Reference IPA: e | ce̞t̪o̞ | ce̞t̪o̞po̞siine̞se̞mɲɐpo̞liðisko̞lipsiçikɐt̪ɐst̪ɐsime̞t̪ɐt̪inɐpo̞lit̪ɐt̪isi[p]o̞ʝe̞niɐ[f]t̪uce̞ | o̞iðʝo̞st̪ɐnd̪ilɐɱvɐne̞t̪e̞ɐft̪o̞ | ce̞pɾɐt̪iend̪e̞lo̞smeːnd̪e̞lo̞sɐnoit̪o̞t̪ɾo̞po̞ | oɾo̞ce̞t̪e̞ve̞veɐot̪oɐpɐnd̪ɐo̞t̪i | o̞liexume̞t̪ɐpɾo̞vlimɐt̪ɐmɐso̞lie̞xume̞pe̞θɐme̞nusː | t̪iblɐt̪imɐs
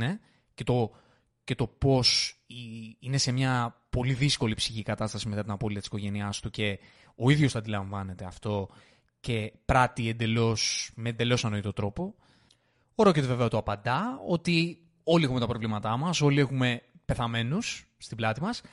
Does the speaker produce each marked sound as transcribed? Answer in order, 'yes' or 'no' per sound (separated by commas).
no, no